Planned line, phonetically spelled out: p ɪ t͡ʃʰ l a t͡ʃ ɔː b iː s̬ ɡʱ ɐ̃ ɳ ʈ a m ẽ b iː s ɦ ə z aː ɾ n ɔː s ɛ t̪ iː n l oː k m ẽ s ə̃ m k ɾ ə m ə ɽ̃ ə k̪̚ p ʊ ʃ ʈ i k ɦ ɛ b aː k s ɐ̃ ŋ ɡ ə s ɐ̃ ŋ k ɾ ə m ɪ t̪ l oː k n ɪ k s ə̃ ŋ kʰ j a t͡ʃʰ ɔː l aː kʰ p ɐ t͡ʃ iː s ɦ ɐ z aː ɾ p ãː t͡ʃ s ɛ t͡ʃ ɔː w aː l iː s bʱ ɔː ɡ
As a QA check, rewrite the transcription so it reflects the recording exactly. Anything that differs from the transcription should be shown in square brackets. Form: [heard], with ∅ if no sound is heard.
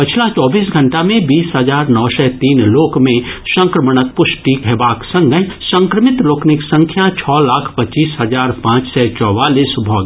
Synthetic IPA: p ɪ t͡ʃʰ l a t͡ʃ ɔː b iː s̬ ɡʱ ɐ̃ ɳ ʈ a m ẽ b iː s ɦ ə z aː ɾ n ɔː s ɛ t̪ iː n l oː k m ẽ s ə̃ [ŋ] k ɾ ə m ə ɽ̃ ə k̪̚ p ʊ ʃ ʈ i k ɦ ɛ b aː k s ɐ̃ ŋ ɡ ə s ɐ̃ ŋ k ɾ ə m ɪ t̪ l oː k n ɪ k s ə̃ ŋ kʰ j a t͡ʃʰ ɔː l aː kʰ p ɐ t͡ʃ iː s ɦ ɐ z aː ɾ p ãː t͡ʃ s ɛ t͡ʃ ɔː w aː l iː s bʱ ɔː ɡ